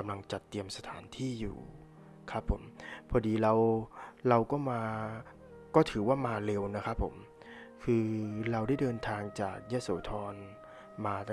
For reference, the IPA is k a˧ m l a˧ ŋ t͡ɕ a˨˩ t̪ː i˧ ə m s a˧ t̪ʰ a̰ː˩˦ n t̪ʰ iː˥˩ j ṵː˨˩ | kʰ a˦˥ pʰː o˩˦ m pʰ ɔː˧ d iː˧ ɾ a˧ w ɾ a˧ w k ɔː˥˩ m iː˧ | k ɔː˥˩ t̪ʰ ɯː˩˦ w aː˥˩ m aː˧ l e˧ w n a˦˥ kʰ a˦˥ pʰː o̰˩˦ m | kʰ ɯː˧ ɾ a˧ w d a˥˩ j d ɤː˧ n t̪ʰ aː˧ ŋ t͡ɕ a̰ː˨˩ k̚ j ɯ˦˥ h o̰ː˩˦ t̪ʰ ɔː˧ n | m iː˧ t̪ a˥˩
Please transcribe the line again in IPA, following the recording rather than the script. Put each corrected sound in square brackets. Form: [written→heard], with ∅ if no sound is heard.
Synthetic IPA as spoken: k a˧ m l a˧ ŋ t͡ɕ a˨˩ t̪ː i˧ ə m s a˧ t̪ʰ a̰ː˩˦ n t̪ʰ iː˥˩ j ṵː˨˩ | kʰ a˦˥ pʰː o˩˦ m pʰ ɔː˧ d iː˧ ɾ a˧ w ɾ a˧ w k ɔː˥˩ m [iː˧→aː˧] | k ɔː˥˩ t̪ʰ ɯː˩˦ w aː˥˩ m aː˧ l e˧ w n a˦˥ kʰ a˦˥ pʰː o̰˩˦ m | kʰ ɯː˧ ɾ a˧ w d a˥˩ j d ɤː˧ n t̪ʰ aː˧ ŋ t͡ɕ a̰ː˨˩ k̚ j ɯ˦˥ [h→s] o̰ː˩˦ t̪ʰ ɔː˧ n | m [iː˧→aː˧] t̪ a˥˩